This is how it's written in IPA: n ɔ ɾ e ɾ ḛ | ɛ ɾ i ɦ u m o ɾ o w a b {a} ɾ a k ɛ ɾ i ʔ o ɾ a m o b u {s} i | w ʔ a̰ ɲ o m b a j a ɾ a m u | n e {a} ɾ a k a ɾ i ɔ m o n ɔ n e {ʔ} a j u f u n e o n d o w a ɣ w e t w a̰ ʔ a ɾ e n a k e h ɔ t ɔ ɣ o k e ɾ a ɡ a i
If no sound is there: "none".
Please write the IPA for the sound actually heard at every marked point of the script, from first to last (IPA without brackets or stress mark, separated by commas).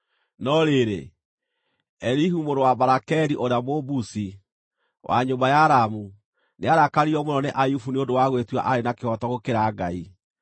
a, s, a, ʔ